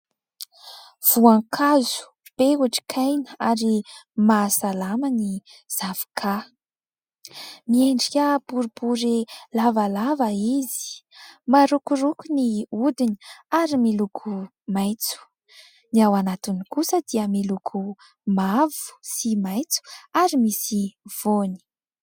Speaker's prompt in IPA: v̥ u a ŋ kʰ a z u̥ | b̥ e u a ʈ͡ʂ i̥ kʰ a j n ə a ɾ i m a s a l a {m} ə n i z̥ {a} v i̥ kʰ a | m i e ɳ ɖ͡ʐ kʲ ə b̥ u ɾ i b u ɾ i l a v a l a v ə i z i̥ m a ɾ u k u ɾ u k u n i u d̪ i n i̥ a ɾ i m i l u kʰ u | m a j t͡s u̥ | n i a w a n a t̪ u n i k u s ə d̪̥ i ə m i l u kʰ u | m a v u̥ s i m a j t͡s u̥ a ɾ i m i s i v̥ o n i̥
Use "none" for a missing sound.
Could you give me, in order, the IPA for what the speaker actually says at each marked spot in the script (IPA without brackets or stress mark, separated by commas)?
m, a